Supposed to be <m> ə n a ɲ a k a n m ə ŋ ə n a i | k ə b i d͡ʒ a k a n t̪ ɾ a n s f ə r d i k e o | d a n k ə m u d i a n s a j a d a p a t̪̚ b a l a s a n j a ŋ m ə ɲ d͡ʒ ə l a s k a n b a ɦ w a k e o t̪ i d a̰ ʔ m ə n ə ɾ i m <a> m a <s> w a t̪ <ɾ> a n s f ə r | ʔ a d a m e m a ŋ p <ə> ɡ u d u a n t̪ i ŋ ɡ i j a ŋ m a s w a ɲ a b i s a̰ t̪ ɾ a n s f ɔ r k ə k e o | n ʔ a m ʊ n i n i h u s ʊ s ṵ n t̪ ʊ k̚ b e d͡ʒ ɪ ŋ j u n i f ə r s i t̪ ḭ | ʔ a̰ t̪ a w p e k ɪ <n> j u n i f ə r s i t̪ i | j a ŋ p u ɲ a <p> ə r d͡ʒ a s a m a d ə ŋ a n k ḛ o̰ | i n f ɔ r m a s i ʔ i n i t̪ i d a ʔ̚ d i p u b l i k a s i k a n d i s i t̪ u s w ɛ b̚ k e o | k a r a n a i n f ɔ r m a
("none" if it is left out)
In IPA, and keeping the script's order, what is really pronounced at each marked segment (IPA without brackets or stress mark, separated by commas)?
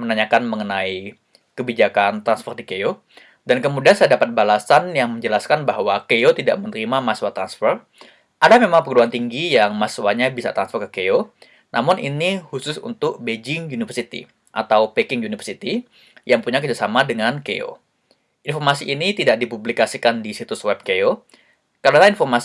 m, a, s, ɾ, ə, ŋ, k